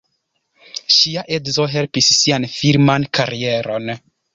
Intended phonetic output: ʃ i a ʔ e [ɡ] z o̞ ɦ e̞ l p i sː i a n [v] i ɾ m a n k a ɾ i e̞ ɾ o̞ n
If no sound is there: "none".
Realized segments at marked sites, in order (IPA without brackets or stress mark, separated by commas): d, f